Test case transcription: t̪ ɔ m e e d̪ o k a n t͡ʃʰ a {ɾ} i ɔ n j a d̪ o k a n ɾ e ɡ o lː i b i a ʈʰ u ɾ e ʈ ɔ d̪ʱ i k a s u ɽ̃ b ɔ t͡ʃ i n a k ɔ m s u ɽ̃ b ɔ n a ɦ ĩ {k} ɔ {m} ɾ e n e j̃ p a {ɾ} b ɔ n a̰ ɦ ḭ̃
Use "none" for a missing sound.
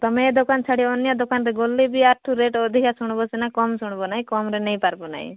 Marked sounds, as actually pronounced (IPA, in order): ɽ, k, m, ɾ

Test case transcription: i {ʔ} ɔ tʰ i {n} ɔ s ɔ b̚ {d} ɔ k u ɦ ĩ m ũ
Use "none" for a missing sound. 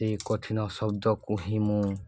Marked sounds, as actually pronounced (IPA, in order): k, n, d

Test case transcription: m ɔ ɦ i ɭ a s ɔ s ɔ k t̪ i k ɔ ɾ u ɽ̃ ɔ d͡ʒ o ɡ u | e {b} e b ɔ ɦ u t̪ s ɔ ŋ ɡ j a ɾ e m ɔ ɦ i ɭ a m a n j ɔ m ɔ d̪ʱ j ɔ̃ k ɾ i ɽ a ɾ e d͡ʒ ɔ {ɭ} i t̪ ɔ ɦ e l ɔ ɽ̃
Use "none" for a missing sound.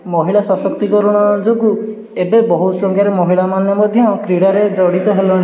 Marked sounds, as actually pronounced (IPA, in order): b, ɽ

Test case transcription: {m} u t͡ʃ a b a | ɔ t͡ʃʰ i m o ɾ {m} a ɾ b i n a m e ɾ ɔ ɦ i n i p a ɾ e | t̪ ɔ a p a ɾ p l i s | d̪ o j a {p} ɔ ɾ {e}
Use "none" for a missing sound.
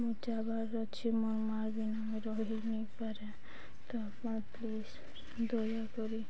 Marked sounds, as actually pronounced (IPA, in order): m, m, k, i

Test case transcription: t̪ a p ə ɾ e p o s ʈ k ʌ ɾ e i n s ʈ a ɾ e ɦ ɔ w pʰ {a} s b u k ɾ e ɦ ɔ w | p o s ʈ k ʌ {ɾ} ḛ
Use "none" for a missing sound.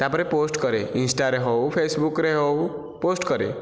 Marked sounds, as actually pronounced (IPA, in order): e, ɾ

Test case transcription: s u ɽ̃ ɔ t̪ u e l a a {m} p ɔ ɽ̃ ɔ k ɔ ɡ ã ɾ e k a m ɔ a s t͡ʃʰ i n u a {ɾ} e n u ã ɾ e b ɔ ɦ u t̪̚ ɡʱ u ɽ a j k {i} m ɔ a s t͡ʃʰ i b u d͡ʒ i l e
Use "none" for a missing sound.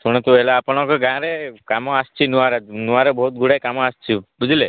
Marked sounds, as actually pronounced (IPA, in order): none, ɾ, a

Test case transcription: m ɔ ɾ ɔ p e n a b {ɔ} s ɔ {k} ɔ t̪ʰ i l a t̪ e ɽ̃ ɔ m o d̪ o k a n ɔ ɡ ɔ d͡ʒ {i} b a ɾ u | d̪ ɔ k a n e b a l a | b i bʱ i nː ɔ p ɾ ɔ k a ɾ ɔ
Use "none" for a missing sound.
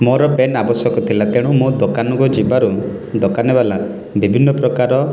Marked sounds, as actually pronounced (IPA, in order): ɔ, k, i

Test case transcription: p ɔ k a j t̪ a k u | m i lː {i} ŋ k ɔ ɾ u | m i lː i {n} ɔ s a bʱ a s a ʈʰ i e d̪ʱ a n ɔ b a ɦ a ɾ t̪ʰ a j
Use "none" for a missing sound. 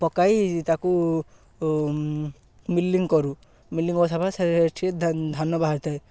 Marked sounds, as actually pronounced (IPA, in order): i, ŋ

